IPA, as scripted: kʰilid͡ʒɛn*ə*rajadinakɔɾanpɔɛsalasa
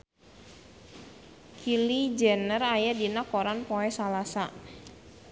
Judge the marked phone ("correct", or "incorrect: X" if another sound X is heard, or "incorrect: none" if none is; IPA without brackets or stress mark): correct